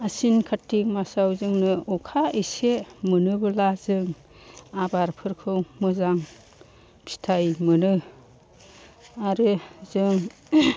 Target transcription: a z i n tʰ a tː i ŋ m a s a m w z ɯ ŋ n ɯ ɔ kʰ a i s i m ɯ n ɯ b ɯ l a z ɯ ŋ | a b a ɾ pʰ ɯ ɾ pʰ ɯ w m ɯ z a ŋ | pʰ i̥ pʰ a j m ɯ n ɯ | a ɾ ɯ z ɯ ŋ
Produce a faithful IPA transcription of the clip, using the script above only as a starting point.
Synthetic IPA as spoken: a s i n kʰ a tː i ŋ m a s a w z ɯ ŋ n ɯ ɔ kʰ a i s e m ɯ n ɯ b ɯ l a z ɯ ŋ | a b a ɾ pʰ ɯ ɾ kʰ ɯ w m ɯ z a ŋ | pʰ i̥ tʰ a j m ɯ n ɯ | a ɾ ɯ z ɯ ŋ